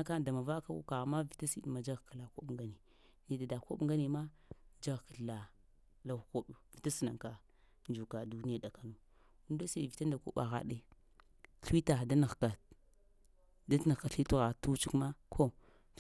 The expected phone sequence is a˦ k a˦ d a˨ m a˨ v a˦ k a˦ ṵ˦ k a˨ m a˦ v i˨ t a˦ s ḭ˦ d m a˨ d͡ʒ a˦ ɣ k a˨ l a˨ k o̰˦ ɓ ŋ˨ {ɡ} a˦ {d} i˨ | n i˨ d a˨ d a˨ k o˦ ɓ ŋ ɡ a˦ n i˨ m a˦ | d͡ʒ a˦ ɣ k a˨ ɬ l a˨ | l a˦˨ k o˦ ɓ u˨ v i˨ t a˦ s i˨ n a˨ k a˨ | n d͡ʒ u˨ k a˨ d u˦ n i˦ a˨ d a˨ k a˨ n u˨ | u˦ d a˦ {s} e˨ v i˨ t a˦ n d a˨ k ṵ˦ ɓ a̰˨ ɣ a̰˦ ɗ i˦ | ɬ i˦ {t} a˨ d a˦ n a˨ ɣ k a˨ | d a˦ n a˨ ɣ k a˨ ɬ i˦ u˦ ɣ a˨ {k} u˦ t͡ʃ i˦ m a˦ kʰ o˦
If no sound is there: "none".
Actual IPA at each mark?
ɡ, n, s, t, t

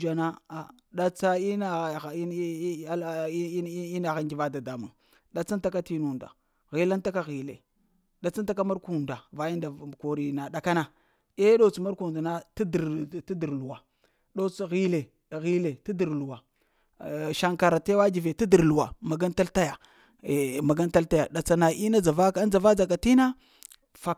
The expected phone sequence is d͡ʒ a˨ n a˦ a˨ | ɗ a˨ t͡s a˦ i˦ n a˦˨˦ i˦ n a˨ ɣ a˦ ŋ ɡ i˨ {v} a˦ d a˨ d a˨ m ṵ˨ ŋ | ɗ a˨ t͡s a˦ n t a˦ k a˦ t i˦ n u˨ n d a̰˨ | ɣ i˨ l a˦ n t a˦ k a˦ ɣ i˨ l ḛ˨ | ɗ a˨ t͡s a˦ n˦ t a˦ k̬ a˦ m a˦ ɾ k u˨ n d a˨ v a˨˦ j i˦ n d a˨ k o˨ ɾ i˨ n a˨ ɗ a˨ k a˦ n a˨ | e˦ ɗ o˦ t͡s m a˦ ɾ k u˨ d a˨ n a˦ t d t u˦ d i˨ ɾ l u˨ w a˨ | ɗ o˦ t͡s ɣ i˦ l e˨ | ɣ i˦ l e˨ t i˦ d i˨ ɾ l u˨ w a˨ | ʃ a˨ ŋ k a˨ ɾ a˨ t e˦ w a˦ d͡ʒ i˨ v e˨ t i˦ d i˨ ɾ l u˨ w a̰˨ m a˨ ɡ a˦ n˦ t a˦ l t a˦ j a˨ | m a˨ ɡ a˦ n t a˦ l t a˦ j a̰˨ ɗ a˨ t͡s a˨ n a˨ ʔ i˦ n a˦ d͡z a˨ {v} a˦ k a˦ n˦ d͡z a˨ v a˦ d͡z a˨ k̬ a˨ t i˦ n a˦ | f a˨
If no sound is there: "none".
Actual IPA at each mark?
v, v

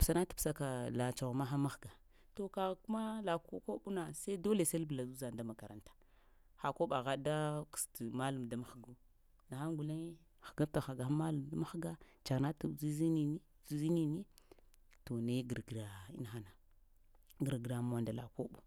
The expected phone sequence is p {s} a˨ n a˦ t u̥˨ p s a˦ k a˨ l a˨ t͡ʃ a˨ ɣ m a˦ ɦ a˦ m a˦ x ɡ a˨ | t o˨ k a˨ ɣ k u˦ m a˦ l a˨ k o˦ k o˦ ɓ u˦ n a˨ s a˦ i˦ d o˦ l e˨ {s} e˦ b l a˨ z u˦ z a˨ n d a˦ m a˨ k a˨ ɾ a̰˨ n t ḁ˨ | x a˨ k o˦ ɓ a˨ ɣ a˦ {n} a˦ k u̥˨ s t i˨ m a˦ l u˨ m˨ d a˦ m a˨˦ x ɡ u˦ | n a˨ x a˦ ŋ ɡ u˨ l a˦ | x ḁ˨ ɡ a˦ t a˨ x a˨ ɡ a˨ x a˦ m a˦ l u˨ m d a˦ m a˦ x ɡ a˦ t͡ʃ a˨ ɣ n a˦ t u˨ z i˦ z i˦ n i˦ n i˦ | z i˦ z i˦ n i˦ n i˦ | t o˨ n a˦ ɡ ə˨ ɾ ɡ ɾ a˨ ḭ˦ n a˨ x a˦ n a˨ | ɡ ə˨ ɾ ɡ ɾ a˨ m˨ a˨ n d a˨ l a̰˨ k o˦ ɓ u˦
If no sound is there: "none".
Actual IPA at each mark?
s, s, d

